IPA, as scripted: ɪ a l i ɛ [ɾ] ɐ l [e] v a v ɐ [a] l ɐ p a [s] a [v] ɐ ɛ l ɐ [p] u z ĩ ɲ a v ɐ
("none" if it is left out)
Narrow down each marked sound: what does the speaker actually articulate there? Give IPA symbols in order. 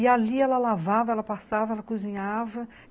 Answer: l, a, ɛ, s, v, k

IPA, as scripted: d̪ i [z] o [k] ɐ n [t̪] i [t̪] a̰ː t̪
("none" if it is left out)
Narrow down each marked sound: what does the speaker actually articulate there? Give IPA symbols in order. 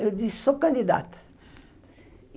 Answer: s, k, d̪, d̪

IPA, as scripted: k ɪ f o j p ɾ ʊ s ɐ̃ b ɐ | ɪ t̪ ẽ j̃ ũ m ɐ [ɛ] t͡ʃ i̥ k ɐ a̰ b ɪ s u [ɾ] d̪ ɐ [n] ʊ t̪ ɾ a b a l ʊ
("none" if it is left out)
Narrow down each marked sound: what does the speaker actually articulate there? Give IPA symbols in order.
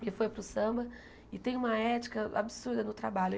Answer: ɛ, ɾ, n

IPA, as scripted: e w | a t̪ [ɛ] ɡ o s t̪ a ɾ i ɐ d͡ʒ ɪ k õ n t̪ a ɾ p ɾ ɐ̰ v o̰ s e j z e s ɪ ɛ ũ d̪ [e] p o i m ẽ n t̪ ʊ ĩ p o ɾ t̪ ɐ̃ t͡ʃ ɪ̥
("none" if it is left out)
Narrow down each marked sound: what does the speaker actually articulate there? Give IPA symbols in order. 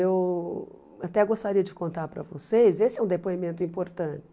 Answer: ɛ, e

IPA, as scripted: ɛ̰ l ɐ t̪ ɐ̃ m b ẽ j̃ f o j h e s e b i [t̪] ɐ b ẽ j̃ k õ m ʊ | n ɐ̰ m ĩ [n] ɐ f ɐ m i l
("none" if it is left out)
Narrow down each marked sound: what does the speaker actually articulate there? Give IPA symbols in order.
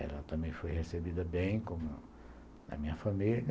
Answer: d̪, ɲ

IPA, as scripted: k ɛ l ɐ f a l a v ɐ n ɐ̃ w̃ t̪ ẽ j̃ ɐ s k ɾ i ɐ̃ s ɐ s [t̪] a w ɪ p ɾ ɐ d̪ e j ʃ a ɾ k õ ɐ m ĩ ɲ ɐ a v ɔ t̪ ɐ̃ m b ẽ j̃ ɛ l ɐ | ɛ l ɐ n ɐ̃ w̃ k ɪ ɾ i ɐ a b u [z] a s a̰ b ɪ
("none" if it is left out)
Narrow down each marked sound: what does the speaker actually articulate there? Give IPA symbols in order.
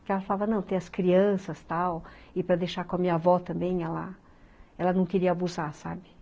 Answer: t̪, z

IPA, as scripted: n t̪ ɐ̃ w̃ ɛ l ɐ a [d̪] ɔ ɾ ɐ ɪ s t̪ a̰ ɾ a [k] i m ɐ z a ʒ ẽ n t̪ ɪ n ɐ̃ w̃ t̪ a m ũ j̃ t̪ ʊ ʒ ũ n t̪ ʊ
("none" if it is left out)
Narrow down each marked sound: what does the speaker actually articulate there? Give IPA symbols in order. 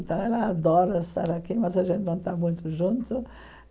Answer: d̪, k

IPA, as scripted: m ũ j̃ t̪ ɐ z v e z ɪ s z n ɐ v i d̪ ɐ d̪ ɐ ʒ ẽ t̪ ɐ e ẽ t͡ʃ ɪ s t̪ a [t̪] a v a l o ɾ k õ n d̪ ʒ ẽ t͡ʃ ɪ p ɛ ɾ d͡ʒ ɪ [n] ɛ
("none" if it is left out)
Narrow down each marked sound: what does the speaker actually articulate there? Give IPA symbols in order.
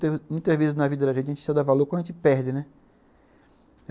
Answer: d̪, n

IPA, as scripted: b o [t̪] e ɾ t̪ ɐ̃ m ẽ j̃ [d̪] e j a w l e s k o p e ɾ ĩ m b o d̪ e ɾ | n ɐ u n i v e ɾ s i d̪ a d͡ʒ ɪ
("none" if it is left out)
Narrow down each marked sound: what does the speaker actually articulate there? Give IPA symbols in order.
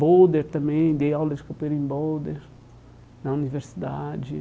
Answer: d̪, d̪

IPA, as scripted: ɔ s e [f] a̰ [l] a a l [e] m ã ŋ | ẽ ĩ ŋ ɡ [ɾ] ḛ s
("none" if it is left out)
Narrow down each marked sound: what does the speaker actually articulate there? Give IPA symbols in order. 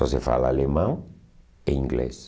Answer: f, l, e, l

